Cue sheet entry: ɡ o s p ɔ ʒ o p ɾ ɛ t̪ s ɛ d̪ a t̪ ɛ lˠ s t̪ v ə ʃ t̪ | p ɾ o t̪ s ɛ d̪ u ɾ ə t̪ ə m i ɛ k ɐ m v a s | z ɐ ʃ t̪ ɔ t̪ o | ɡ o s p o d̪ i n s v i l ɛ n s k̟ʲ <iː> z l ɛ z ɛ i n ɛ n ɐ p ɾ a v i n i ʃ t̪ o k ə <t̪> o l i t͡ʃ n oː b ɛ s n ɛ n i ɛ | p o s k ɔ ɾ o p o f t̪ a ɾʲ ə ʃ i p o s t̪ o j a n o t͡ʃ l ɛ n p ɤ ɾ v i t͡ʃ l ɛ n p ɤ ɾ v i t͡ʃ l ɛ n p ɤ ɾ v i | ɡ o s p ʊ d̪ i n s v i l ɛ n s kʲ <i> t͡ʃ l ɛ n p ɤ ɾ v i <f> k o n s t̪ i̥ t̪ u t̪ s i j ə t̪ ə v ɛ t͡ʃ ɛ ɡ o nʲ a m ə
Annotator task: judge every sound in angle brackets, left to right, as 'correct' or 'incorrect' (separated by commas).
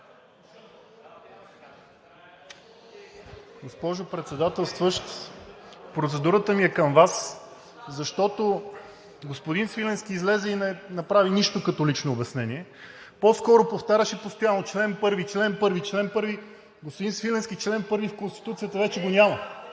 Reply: correct, correct, correct, correct